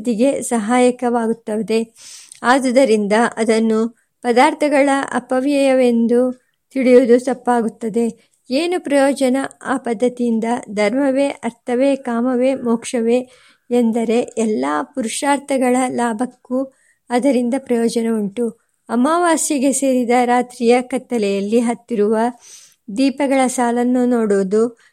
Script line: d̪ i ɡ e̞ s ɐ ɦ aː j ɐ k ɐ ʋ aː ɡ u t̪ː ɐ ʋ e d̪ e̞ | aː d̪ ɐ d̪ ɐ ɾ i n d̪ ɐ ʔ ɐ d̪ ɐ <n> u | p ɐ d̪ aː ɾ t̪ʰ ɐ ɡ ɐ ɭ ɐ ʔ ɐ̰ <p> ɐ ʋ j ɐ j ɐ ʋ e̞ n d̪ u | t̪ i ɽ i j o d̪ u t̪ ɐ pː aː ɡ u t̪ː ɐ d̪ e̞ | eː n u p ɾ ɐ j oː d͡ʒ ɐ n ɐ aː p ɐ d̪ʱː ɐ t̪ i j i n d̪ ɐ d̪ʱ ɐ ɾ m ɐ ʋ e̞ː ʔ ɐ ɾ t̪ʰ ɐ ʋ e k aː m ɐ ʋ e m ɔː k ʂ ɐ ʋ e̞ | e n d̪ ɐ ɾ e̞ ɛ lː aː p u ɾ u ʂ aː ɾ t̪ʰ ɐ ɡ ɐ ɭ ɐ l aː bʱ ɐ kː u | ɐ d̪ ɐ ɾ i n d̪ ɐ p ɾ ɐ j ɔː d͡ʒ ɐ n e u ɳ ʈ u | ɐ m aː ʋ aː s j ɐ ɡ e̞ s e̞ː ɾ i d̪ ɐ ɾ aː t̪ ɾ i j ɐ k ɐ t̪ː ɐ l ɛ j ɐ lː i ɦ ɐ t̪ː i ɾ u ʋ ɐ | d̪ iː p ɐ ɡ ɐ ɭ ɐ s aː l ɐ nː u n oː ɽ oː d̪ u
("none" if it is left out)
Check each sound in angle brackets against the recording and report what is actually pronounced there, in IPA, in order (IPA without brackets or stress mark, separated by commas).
nː, p